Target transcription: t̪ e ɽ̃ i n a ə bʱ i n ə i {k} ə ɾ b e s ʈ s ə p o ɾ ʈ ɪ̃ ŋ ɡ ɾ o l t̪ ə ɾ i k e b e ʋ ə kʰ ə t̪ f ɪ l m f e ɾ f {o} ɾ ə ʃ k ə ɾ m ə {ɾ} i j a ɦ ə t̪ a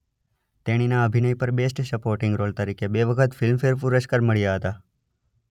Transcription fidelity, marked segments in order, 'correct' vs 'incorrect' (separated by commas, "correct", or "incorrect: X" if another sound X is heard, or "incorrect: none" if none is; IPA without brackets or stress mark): incorrect: p, incorrect: u, incorrect: ɭ